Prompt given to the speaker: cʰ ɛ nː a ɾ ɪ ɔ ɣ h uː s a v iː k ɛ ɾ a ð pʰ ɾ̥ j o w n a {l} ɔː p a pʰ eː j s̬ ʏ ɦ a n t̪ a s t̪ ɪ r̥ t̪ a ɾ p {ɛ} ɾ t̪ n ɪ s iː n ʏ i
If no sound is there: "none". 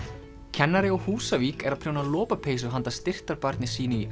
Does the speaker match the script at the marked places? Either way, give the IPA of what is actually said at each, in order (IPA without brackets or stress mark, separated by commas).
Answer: l, a